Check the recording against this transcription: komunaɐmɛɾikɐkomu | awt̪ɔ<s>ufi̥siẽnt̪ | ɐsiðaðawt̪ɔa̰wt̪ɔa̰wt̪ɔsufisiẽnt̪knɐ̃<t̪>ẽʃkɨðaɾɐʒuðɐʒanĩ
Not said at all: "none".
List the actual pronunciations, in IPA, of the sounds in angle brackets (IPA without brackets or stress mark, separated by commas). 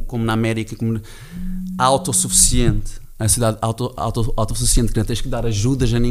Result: s, t̪